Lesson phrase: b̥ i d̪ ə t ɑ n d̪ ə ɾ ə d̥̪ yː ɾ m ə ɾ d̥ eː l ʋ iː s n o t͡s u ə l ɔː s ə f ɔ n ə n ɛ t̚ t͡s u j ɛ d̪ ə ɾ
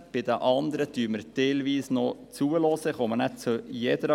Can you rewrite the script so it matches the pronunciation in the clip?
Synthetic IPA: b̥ ɪ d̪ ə ʔ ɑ n d̪ ə ɾ ə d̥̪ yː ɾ m ə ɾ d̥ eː l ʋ iː s n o t͡s u ə l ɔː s ə χ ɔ m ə n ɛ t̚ t͡s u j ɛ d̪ ə ɾ